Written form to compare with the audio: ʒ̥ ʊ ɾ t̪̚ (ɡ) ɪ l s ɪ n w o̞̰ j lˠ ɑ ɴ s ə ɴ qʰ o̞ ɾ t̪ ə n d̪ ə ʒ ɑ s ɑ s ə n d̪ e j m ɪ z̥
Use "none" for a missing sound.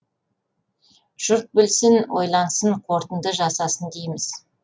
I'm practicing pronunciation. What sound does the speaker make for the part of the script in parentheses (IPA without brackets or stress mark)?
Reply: b